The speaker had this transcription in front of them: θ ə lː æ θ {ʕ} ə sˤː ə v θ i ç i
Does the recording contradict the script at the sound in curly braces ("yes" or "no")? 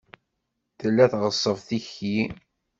yes